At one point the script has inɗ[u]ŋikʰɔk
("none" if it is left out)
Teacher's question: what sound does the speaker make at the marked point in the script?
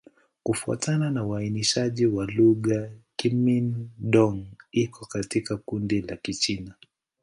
ɔ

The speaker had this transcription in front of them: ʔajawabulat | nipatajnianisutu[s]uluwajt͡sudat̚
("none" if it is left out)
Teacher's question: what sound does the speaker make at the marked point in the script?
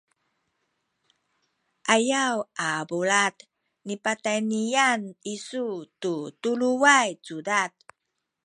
t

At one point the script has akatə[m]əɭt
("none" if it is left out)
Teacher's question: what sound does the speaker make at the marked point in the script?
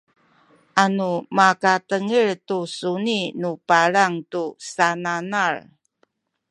ŋ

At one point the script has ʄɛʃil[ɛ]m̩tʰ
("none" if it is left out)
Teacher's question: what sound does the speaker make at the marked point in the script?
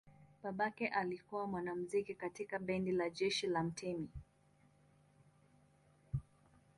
a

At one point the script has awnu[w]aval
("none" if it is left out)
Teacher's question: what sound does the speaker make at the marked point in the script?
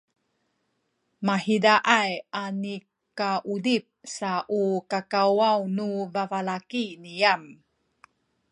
v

